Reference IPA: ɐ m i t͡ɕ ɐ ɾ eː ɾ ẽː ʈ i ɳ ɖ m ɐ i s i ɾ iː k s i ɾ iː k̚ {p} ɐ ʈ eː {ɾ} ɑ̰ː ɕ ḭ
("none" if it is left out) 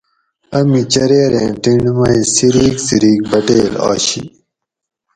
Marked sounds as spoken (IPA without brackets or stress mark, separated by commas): b, l